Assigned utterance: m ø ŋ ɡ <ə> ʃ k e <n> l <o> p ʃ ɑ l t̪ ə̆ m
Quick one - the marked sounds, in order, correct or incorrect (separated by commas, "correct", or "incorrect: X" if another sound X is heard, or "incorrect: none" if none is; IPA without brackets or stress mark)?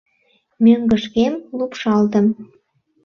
correct, incorrect: m, incorrect: u